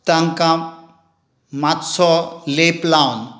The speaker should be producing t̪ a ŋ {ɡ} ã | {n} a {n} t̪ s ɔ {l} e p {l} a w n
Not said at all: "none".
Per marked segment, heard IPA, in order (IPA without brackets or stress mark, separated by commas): k, m, none, l, l